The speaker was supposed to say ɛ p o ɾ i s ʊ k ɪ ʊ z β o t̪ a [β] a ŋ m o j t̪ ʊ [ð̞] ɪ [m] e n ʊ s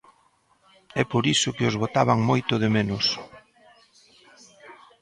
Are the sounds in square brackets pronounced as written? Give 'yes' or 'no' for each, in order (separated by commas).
yes, yes, yes